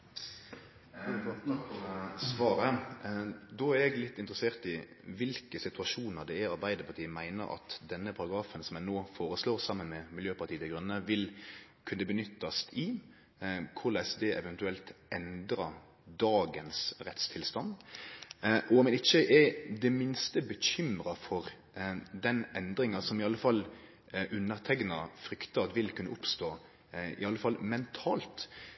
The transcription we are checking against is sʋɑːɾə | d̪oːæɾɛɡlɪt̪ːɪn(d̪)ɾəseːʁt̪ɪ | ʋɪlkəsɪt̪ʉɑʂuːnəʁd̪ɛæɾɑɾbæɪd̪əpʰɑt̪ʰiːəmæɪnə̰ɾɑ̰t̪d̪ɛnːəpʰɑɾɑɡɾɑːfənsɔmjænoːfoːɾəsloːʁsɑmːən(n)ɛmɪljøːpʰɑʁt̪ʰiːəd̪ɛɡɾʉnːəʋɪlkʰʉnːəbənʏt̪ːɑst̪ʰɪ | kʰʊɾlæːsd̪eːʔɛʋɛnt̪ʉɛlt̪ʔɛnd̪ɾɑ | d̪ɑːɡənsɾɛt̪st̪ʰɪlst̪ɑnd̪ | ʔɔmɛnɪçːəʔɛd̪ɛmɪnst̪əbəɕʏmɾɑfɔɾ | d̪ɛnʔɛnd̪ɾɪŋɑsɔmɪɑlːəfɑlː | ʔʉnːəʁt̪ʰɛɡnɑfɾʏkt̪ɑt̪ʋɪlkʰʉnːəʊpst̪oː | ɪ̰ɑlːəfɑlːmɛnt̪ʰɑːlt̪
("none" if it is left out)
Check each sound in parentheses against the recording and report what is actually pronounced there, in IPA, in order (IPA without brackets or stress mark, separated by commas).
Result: t̪, m